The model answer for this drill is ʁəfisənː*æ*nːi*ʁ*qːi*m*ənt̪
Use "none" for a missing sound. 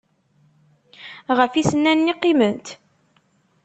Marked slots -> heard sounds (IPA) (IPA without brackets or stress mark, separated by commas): æ, none, m